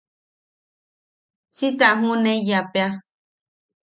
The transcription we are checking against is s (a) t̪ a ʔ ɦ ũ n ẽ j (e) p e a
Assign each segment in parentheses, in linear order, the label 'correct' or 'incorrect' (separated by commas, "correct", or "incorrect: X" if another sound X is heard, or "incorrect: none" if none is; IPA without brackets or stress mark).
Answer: incorrect: i, incorrect: a